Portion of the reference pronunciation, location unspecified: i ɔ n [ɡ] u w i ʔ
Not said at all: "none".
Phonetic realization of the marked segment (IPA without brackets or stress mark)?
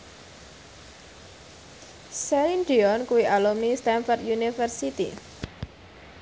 k